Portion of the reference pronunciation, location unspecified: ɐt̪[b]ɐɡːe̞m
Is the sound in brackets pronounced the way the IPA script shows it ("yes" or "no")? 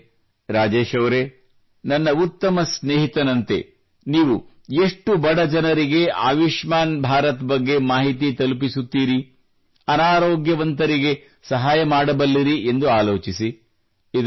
yes